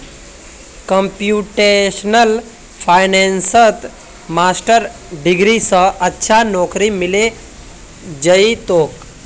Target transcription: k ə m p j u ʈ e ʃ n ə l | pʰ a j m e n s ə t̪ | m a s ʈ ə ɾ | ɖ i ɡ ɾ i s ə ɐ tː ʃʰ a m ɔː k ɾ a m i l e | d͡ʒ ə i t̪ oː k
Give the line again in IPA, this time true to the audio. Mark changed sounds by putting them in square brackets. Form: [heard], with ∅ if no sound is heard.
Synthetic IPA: k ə m p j u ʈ e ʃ n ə l | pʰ a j [n] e n s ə t̪ | m a s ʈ ə ɾ | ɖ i ɡ ɾ i s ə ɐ tː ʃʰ a [n] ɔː k ɾ [i] m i l e | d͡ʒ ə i t̪ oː k